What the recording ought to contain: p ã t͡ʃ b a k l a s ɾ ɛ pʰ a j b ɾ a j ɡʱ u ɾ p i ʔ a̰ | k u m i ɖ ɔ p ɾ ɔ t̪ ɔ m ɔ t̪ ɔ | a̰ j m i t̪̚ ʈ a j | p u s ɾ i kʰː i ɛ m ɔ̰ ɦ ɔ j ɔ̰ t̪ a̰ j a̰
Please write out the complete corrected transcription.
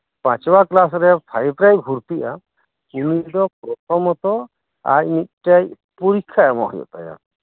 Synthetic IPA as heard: p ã t͡ʃ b a k l a s ɾ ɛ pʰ a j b ɾ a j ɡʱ u ɾ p i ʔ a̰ | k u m i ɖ ɔ p ɾ ɔ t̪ ɔ m ɔ t̪ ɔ | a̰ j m i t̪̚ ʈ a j | p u ɾ i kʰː a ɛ m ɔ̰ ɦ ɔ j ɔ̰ t̪ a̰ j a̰